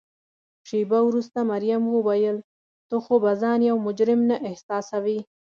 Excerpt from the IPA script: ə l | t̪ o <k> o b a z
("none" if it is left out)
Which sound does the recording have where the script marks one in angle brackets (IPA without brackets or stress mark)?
x